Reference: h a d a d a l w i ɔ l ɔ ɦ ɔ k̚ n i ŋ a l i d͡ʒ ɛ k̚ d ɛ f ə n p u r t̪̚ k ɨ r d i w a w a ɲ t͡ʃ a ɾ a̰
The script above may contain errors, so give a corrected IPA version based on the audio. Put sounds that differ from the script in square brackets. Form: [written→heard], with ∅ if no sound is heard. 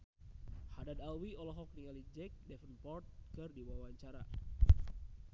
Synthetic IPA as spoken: h a d a d a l w i ɔ l ɔ ɦ ɔ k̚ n i ŋ a l i d͡ʒ ɛ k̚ d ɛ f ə n p [u→ɔ] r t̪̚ k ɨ r d i w a w a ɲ t͡ʃ a ɾ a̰